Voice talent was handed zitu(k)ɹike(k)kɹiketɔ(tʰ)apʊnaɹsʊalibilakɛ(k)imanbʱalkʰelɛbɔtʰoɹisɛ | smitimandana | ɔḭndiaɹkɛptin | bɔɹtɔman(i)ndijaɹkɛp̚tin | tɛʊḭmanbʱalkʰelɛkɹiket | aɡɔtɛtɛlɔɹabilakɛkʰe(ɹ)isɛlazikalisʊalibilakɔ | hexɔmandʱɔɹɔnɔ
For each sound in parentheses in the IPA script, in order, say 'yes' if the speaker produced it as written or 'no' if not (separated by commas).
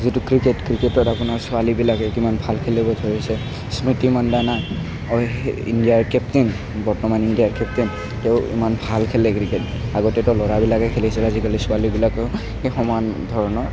yes, no, no, yes, yes, no